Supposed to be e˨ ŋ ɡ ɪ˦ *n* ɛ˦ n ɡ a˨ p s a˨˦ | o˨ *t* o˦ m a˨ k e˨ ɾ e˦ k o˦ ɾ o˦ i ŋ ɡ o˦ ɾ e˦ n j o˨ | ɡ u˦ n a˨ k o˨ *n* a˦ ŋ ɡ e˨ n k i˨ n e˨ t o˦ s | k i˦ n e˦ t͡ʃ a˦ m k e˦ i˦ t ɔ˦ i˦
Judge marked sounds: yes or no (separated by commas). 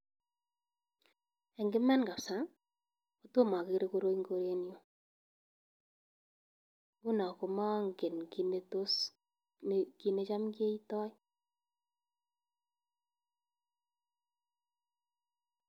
no, yes, no